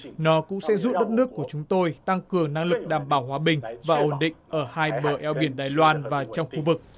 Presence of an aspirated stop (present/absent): absent